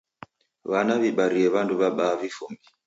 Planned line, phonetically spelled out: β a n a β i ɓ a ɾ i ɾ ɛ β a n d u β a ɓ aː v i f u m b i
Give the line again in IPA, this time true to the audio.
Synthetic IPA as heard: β a n a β i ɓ a ɾ i ɛ β a n d u β a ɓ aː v i f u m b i